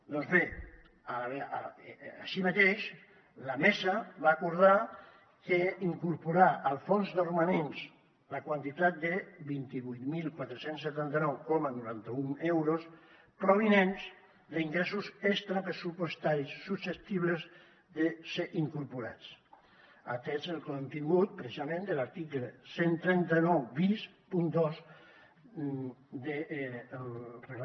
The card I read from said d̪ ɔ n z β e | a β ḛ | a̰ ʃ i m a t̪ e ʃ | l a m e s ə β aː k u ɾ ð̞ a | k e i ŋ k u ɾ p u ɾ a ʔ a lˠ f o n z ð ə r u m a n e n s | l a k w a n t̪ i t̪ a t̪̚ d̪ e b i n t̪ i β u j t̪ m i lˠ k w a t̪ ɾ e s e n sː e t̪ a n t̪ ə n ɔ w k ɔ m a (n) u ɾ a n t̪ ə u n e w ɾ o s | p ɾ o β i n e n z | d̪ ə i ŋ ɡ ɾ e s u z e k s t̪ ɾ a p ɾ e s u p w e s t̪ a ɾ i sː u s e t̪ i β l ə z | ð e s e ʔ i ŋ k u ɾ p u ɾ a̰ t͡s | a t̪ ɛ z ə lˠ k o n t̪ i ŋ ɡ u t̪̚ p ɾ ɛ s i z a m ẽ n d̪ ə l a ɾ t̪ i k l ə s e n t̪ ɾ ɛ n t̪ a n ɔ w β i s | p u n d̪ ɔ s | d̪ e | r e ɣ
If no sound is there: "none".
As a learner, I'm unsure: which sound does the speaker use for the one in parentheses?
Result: n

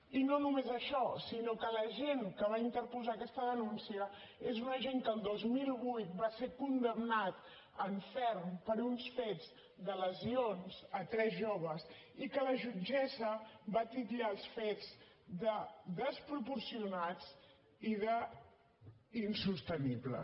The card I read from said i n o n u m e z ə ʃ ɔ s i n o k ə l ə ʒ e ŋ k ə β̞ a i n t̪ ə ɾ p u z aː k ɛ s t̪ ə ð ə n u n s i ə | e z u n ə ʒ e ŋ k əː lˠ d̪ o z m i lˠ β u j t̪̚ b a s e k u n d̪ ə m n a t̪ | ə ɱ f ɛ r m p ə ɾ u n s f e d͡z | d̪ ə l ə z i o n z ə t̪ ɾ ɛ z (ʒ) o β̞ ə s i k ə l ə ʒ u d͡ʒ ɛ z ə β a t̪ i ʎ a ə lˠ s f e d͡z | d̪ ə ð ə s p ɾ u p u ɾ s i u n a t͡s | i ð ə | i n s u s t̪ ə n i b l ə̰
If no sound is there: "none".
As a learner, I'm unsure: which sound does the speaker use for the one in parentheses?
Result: ʒ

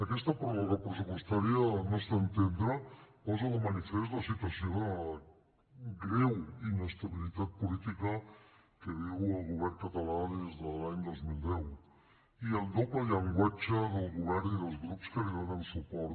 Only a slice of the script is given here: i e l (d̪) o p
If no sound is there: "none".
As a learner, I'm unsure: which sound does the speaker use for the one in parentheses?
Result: d̪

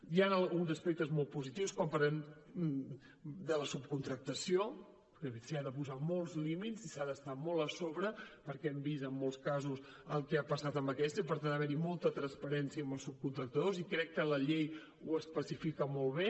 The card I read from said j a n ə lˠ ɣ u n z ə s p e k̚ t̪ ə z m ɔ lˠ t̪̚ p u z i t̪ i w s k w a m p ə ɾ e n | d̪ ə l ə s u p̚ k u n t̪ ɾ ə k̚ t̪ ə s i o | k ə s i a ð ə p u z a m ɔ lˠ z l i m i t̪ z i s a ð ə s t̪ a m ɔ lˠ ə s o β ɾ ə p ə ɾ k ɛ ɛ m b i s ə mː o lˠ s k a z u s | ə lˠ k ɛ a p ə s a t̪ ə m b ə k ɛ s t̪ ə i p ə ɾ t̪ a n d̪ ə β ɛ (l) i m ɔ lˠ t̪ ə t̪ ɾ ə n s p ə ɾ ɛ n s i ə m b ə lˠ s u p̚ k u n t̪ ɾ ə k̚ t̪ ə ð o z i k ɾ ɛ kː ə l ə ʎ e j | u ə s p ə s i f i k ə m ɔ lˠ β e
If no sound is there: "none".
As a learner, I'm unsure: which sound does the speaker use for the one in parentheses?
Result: ɾ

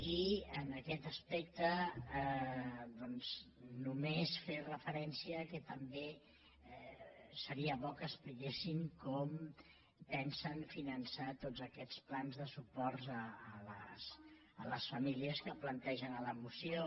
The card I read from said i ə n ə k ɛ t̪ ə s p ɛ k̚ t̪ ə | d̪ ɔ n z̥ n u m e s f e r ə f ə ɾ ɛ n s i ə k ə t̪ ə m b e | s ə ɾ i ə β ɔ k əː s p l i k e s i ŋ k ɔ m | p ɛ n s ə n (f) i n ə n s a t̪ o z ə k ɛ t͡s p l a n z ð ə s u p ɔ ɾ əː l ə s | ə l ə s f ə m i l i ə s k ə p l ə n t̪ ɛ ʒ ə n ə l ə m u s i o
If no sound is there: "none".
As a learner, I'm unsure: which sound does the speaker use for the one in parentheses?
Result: f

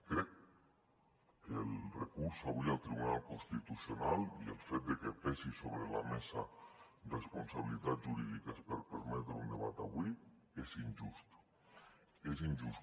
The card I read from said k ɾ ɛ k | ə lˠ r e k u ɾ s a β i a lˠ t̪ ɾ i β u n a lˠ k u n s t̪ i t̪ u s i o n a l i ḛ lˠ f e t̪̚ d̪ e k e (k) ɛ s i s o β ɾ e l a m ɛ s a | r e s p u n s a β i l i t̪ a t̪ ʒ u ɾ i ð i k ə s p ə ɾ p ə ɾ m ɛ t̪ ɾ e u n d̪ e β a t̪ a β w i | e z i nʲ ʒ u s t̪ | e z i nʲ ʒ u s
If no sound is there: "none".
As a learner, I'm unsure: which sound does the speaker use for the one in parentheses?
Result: p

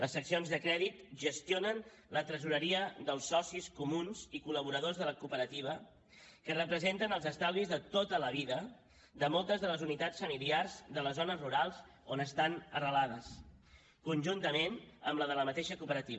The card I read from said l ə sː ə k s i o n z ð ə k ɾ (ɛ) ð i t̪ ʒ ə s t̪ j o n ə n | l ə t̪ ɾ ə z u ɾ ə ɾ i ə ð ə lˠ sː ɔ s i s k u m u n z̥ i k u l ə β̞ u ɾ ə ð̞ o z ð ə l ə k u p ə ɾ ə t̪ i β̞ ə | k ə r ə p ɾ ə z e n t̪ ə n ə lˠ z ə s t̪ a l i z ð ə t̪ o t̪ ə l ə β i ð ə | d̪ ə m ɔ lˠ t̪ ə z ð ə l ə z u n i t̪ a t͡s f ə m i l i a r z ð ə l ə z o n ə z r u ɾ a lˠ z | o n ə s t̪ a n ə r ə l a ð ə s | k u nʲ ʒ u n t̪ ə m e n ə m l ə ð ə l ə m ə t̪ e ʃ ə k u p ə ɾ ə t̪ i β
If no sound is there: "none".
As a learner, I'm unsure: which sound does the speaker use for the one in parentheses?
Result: ɛ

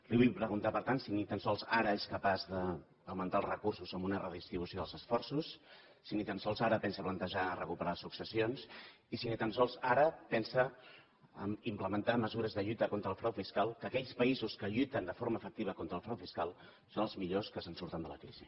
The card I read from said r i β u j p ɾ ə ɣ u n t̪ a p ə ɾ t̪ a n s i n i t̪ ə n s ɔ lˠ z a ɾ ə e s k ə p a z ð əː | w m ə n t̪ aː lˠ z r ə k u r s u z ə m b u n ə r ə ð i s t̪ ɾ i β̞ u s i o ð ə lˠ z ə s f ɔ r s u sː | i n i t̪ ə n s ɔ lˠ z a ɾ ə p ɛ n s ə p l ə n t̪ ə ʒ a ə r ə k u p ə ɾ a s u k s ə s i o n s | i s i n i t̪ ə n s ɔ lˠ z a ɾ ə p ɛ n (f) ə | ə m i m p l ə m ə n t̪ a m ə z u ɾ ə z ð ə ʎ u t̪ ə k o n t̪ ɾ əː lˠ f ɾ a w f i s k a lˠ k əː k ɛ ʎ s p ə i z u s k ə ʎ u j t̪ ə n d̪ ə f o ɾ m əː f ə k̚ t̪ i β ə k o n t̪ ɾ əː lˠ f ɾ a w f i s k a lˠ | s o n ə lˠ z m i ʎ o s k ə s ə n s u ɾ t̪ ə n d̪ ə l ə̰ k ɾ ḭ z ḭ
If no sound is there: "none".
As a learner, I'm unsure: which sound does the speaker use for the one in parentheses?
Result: s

